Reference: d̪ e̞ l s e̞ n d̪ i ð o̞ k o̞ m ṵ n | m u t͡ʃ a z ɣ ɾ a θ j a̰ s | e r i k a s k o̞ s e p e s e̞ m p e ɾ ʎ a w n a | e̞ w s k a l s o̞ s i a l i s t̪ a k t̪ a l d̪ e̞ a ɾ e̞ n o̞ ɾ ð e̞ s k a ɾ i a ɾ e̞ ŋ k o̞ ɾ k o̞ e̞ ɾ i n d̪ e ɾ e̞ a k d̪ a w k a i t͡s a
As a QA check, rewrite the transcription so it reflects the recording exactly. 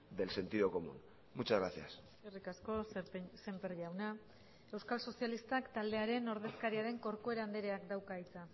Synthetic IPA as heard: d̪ e̞ l s e̞ n t̪ i ð o̞ k o̞ m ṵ n | m u t͡ʃ a z ɣ ɾ a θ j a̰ s | e r i k a s k o̞ s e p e s e̞ m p e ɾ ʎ a w n a | e̞ w s k a l s o̞ s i a l i s t̪ a k t̪ a l d̪ e̞ a ɾ e̞ n o̞ ɾ ð e̞ s k a ɾ i a ɾ e̞ ŋ k o̞ ɾ k o̞ e̞ ɾ a n d̪ e ɾ e̞ a k d̪ a w k a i t͡s a